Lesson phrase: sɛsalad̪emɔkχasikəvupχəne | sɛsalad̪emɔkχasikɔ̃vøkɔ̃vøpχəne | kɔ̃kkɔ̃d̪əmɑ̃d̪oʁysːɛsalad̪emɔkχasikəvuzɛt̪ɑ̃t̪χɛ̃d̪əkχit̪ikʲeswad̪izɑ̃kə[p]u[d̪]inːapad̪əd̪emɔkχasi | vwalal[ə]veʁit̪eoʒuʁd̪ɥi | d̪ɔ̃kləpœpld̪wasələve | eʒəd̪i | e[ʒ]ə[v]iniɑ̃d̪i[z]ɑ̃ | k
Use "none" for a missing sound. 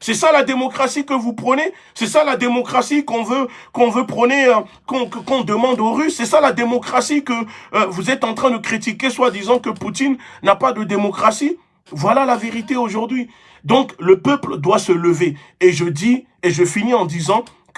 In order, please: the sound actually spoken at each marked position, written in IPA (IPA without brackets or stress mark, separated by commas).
p, t̪, a, ʒ, f, z